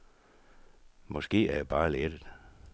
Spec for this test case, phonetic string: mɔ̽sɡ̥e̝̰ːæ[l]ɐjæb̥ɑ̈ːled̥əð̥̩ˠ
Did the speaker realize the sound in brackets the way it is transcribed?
no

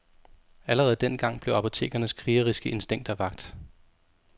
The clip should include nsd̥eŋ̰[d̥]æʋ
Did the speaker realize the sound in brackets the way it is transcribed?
yes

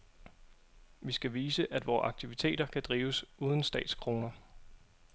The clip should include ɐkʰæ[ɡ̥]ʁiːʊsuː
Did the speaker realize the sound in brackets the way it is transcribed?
no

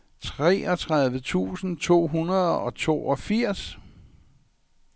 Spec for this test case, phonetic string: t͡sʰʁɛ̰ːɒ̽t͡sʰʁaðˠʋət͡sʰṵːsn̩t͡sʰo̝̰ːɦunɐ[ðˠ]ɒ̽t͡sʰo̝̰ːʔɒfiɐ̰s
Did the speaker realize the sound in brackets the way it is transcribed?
yes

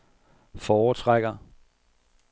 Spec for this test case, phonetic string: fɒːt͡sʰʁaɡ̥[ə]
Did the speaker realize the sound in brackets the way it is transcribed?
no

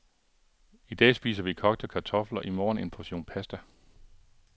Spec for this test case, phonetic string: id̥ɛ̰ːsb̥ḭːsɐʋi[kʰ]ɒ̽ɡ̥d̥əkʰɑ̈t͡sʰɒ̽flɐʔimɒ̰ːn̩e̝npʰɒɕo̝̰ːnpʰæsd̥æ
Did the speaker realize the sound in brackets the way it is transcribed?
yes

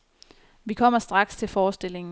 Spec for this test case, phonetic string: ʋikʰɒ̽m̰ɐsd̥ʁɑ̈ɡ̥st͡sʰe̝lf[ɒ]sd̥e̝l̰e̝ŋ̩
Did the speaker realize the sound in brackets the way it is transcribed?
no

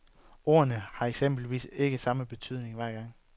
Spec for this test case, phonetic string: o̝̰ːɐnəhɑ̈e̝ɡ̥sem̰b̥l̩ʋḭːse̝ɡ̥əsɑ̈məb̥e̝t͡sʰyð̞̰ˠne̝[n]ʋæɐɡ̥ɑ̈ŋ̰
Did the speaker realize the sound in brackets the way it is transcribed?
no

